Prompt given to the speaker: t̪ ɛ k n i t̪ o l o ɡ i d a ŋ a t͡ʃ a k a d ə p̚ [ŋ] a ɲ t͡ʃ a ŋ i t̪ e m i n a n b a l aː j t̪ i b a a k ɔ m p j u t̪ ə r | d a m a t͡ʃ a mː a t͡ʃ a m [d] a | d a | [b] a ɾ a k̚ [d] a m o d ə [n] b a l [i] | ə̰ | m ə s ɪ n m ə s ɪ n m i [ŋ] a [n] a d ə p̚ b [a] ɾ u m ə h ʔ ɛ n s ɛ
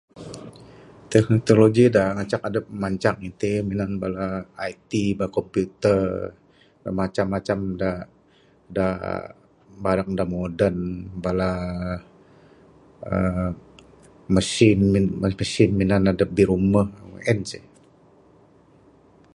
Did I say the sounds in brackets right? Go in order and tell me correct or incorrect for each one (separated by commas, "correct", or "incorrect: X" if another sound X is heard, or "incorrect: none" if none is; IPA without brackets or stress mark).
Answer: incorrect: m, correct, correct, correct, correct, incorrect: a, incorrect: n, correct, incorrect: i